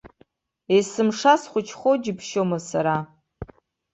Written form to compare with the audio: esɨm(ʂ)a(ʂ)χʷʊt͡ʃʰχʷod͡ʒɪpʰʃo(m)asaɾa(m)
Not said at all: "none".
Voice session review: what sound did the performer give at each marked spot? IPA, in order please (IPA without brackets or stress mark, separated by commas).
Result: ʂ, s, m, none